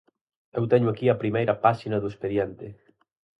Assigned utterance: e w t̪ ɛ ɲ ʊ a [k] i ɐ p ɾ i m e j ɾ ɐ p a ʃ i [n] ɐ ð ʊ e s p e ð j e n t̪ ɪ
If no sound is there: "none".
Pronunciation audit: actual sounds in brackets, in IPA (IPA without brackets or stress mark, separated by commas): k, n